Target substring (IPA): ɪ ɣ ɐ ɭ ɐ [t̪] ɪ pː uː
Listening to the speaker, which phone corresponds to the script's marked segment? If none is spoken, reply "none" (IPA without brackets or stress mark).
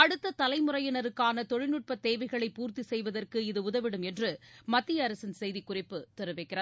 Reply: none